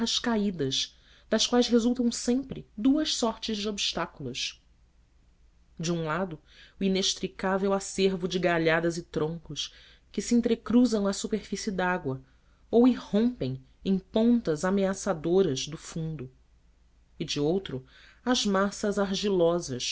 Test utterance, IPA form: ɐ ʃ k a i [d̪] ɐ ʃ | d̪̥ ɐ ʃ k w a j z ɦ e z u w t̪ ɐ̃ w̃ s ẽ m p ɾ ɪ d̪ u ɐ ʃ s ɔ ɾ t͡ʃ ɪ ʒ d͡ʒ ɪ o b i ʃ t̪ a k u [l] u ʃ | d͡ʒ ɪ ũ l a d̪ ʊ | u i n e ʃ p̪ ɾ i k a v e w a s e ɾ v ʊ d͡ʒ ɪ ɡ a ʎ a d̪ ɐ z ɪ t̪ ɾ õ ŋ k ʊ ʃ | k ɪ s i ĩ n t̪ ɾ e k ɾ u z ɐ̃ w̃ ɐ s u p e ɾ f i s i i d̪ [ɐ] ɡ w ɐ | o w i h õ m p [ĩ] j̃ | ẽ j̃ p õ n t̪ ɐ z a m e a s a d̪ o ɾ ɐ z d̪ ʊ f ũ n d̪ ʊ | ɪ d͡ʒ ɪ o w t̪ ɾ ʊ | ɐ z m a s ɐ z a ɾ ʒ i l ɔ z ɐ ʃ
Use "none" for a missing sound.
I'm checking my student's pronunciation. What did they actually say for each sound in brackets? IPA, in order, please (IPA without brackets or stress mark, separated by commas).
d̪, l, a, ẽ